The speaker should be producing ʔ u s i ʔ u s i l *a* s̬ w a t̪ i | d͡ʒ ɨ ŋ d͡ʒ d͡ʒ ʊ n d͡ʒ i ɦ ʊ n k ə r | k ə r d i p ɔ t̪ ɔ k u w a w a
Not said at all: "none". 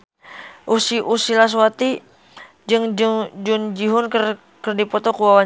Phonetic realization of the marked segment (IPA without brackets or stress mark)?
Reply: a